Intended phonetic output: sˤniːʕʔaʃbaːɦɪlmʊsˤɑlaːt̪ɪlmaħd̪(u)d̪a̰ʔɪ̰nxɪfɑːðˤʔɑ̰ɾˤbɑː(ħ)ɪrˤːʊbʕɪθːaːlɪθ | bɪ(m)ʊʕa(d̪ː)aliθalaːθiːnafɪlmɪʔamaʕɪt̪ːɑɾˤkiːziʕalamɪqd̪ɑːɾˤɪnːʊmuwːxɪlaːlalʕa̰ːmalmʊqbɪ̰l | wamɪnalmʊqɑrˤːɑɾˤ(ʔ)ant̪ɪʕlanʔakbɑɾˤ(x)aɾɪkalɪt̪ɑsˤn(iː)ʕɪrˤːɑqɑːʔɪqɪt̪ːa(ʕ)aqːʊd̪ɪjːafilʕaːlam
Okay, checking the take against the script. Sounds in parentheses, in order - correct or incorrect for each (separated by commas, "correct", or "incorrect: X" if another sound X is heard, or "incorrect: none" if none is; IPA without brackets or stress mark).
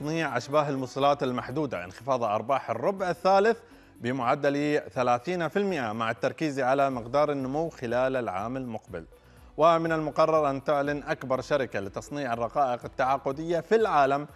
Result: incorrect: uː, correct, correct, correct, correct, incorrect: ʃ, correct, correct